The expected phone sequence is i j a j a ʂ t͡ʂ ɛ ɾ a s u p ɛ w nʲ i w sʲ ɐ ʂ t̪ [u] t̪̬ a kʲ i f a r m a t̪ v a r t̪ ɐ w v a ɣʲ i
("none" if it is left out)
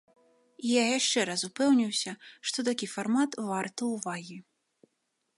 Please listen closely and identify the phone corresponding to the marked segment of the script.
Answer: ɔ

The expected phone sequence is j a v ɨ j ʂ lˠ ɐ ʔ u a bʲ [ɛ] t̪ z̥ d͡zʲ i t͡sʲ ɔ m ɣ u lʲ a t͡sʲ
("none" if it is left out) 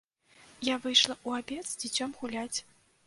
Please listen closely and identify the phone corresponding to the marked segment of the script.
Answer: ɛ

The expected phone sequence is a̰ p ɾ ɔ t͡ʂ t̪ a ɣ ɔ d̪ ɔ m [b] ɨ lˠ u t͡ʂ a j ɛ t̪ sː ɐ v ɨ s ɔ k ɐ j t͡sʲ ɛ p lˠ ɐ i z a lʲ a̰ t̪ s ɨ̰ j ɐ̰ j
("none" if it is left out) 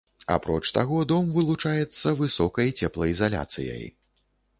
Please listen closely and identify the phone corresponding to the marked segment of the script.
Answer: v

